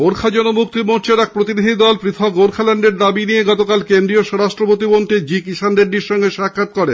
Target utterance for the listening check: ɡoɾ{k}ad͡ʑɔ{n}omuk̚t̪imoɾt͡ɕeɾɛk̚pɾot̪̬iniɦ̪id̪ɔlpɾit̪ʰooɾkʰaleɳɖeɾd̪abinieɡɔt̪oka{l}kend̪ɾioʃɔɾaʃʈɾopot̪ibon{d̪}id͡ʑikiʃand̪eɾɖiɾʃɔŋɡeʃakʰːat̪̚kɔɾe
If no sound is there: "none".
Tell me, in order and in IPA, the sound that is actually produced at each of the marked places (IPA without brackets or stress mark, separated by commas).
kʰ, n, l, t̪